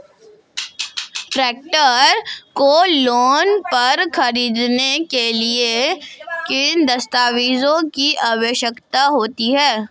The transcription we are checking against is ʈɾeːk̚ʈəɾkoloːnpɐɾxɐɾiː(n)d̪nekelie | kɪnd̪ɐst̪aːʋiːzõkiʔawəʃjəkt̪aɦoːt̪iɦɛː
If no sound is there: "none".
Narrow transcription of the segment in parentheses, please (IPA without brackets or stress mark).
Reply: none